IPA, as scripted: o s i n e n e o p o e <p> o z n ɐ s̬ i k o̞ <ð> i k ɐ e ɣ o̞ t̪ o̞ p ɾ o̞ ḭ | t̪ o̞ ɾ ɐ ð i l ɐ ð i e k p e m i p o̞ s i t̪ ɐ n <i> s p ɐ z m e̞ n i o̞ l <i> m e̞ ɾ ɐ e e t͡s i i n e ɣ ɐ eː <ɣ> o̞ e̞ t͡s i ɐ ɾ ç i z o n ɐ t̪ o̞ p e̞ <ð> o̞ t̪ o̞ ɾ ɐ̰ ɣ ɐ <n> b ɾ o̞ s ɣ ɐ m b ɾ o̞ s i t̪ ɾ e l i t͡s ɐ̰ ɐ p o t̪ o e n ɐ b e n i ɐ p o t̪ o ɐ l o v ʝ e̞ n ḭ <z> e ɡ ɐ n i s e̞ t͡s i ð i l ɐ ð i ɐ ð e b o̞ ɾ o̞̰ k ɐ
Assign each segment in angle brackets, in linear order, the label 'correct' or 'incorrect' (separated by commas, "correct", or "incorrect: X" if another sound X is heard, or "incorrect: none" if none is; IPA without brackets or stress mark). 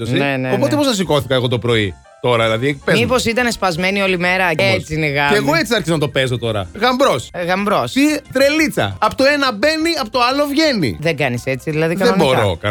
correct, incorrect: θ, incorrect: e, correct, correct, incorrect: z, incorrect: m, incorrect: ð